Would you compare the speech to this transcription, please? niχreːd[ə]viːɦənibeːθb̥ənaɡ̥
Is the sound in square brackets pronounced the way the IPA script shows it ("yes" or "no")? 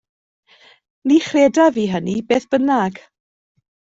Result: no